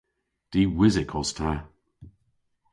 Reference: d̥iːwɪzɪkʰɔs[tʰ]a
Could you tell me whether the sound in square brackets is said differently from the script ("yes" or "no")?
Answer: no